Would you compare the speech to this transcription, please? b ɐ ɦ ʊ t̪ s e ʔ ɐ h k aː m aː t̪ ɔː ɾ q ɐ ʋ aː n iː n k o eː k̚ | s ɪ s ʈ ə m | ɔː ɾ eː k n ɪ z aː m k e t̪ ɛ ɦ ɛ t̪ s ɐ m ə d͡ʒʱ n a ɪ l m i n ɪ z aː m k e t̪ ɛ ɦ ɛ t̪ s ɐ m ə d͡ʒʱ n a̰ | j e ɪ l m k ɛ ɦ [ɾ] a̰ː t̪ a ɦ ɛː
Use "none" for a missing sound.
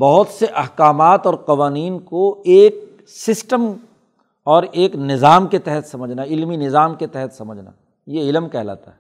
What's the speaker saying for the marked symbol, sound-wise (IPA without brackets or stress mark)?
l